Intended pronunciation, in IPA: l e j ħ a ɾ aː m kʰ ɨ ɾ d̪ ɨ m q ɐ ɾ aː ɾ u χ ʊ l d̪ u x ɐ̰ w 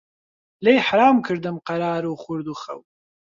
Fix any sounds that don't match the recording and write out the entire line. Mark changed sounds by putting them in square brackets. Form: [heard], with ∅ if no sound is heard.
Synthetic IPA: l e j ħ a ɾ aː m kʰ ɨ ɾ d̪ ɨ m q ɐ ɾ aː ɾ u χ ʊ [ɾ] d̪ u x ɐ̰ w